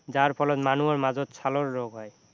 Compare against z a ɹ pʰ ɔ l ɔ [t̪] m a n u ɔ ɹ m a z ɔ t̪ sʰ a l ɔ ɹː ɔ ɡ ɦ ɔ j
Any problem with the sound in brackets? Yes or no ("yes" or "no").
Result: no